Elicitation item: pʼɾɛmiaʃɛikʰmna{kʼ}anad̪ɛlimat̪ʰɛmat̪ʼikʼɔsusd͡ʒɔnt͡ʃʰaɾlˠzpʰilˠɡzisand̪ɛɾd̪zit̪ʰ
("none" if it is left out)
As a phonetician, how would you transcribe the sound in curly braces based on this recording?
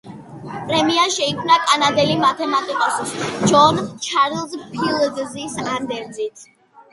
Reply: kʼ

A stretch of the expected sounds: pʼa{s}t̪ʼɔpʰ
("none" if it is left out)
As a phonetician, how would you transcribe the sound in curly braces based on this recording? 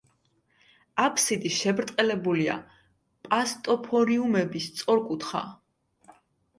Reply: s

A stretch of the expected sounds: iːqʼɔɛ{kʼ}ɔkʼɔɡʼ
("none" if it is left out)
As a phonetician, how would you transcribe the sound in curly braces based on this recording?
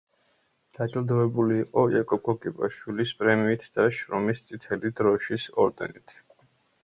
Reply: kʼ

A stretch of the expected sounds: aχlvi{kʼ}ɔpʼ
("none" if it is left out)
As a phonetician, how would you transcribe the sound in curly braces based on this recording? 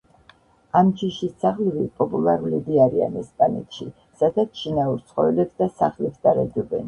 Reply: pʼ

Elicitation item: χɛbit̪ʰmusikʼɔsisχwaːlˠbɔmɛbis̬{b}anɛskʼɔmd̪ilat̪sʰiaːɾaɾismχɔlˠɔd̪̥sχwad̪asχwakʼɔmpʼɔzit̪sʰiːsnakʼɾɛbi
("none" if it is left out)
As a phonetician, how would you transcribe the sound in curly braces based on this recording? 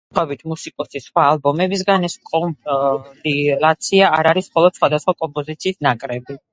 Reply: ɡ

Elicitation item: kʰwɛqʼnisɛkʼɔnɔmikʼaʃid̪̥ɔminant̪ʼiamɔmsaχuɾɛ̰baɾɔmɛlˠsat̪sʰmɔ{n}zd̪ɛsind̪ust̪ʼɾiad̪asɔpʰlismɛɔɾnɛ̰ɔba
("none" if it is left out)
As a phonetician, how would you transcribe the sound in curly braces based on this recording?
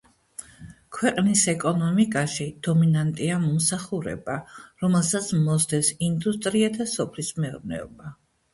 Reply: none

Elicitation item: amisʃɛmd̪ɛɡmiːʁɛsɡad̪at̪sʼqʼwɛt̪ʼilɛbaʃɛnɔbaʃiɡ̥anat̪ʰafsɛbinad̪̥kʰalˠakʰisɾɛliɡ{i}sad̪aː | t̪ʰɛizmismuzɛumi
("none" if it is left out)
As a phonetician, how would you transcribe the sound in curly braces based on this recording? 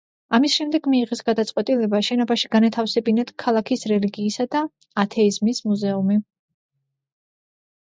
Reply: iː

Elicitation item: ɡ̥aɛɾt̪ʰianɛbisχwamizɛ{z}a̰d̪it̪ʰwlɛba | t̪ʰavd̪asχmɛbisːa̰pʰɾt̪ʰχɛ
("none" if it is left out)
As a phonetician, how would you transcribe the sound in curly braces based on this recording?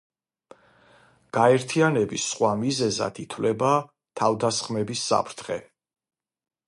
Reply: z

